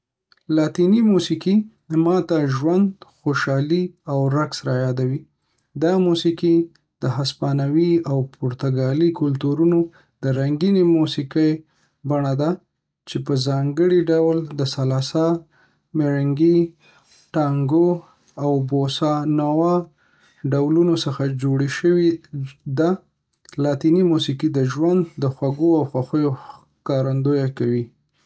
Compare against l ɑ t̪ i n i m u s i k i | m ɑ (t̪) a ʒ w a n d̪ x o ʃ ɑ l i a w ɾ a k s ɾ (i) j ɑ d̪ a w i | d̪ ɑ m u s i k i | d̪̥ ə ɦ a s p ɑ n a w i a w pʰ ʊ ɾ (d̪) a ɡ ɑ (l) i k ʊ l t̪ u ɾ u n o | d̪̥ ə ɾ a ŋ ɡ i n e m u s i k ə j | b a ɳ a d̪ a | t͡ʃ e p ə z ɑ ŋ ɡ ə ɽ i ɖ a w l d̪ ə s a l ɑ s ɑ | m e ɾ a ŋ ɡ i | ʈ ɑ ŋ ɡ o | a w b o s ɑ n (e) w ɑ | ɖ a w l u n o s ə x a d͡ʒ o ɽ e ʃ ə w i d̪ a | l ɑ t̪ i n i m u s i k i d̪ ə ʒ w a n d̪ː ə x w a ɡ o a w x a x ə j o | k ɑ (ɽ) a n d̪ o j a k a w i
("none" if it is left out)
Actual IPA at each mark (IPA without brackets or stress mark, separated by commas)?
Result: t̪, a, t̪, l, a, ɾ